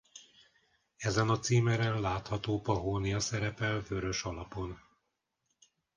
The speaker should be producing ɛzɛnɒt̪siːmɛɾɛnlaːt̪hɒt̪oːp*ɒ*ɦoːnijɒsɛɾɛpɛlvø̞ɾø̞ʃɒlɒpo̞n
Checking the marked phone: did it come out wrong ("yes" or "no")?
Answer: no